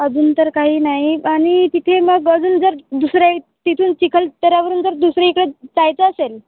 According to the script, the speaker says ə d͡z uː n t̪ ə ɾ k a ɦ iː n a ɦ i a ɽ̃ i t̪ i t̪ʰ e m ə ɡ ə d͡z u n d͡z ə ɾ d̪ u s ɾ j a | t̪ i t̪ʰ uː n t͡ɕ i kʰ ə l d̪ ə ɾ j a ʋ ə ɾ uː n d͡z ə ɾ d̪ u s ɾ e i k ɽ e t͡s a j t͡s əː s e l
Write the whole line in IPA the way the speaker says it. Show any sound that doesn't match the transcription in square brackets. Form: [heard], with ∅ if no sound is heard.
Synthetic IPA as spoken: ə d͡z uː n t̪ ə ɾ k a ɦ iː n a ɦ i a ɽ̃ i t̪ i t̪ʰ e m ə ɡ ə d͡z [uː] n d͡z ə ɾ d̪ u s ɾ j a | t̪ i t̪ʰ uː n t͡ɕ i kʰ ə l [t̪] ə ɾ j a ʋ ə ɾ uː n d͡z ə ɾ d̪ u s ɾ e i k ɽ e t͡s a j t͡s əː s e l